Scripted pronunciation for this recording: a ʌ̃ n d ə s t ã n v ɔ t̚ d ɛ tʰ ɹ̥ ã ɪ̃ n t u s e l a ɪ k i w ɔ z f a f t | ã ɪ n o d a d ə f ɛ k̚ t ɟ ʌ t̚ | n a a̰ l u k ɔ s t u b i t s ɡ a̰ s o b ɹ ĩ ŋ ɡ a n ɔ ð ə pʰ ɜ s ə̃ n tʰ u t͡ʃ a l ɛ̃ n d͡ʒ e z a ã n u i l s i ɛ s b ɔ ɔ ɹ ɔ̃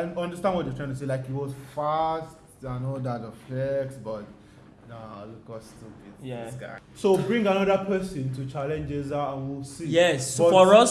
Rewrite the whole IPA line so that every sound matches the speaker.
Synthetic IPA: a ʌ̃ n d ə s t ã n w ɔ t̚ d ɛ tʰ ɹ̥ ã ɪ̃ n t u s e l a ɪ k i w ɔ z f a s t | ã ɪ n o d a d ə f ɛ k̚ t b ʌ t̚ | n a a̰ l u k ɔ s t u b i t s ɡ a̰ s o b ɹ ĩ ŋ ɡ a n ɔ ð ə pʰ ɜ s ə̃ n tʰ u t͡ʃ a l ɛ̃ n d͡ʒ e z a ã n w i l s i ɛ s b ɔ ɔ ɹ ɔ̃